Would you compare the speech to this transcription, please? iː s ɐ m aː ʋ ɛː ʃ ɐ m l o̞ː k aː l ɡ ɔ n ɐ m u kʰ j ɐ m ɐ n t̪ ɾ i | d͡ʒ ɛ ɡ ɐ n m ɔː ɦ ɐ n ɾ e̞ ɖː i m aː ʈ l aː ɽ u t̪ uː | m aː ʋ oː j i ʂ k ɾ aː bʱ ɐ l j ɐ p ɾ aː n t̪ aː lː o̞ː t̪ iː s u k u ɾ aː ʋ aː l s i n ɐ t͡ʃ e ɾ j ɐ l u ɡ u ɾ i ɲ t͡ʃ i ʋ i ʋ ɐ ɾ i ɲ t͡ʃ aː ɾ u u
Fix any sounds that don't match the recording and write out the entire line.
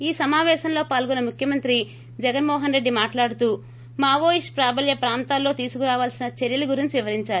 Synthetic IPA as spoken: iː s ɐ m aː ʋ ɛː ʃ ɐ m l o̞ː p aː l ɡ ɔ n ɐ m u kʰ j ɐ m ɐ n t̪ ɾ i | d͡ʒ ɛ ɡ ɐ n m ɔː ɦ ɐ n ɾ e̞ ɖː i m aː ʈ l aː ɽ u t̪ uː | m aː ʋ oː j i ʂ p ɾ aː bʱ ɐ l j ɐ p ɾ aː n t̪ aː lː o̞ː t̪ iː s u k u ɾ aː ʋ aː l s i n ɐ t͡ʃ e ɾ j ɐ l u ɡ u ɾ i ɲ t͡ʃ i ʋ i ʋ ɐ ɾ i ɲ t͡ʃ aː ɾ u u